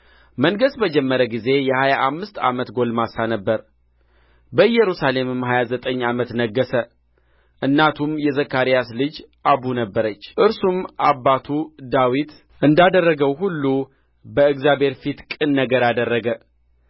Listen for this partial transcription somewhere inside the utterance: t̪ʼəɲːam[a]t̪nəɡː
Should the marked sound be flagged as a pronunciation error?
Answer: yes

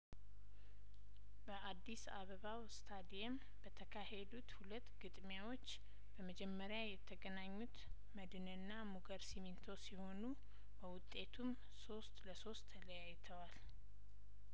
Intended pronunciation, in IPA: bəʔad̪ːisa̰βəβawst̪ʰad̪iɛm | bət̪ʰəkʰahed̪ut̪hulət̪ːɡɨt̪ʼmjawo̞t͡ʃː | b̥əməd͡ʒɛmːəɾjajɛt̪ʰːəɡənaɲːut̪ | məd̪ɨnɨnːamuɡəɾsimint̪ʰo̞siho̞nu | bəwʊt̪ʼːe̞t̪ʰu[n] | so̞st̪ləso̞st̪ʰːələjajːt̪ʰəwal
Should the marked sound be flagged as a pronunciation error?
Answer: yes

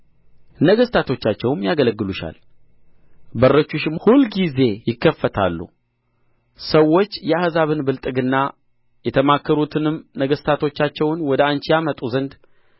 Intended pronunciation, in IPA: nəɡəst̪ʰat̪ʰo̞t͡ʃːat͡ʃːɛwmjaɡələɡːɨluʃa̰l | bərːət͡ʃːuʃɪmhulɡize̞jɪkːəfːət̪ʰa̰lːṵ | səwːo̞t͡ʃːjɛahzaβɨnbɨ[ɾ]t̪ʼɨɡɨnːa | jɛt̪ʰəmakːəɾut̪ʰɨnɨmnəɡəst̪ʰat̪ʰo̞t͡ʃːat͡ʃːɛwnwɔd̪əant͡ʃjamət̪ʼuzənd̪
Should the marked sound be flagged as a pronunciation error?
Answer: yes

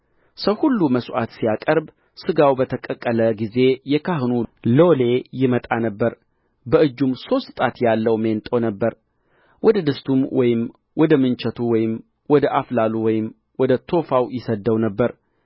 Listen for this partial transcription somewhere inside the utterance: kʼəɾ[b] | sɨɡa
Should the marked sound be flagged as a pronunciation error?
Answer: no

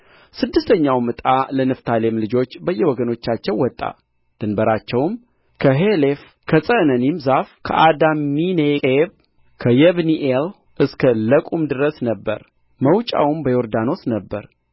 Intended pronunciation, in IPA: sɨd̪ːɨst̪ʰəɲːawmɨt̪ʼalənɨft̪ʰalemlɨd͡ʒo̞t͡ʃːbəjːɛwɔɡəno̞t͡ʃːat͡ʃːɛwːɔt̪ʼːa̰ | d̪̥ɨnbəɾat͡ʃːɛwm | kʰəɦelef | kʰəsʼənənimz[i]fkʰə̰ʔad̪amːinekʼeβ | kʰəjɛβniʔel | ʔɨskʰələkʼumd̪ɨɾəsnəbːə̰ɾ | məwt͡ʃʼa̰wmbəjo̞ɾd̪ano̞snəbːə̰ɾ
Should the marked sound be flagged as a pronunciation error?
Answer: yes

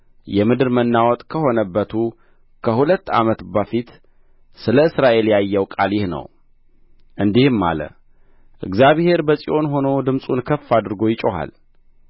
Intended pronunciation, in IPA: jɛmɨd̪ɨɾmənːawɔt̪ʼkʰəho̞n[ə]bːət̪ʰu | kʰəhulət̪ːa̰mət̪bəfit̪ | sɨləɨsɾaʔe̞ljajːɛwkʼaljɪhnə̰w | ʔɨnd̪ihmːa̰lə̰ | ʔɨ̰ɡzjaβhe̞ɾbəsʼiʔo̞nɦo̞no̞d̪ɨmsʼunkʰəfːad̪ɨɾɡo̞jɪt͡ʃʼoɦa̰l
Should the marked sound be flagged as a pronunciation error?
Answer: no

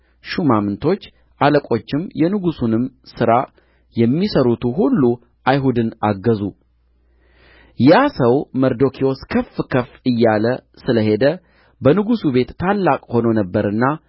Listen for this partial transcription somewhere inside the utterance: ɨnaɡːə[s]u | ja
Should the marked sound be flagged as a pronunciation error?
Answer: yes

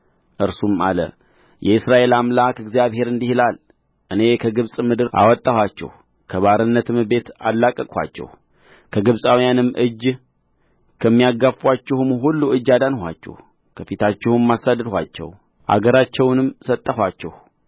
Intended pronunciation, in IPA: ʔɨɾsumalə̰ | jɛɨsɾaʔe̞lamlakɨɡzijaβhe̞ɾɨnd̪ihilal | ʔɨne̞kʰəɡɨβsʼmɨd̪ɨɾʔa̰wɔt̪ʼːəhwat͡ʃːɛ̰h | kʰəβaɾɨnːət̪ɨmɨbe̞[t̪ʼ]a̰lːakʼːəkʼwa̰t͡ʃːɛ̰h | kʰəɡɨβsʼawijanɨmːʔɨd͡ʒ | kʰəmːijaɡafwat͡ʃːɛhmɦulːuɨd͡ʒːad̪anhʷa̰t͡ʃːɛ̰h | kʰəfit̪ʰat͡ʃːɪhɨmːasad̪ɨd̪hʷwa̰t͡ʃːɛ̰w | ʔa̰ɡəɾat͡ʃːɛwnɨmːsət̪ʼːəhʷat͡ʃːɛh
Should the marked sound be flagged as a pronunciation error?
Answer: yes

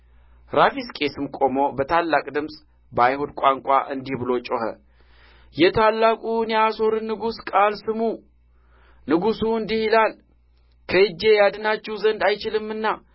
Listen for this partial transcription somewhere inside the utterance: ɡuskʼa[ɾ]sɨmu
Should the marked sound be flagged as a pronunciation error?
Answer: yes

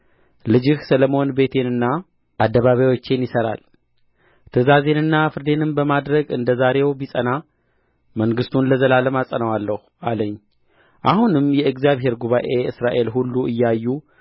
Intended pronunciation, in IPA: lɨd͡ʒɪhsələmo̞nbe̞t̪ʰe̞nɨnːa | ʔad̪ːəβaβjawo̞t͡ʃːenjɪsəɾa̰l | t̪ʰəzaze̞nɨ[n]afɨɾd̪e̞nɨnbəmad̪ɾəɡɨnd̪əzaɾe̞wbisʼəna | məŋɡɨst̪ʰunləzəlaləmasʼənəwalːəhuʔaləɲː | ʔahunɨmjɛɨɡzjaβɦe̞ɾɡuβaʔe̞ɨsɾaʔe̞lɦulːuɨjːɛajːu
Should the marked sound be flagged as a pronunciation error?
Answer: yes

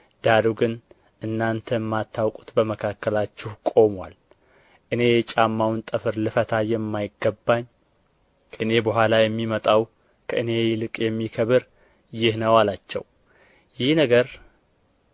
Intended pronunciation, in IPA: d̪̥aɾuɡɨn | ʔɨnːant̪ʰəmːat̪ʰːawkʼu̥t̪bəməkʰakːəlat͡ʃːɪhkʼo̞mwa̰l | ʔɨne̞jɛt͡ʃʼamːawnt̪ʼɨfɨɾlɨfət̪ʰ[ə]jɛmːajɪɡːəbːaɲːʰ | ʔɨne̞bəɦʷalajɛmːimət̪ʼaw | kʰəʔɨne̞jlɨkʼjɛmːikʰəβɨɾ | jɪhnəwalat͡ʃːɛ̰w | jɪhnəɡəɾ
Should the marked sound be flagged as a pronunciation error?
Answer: yes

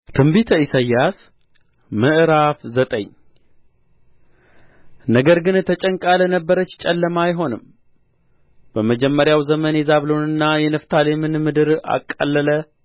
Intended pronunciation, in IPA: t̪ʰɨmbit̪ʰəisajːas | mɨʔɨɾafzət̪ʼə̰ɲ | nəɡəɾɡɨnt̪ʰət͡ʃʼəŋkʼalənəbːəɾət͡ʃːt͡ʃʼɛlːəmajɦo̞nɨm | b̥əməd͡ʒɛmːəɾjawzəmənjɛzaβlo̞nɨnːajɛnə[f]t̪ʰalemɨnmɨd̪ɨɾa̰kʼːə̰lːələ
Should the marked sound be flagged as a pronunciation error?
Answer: no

